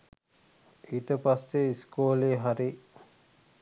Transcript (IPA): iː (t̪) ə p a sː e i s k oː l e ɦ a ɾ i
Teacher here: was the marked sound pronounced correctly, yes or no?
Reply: yes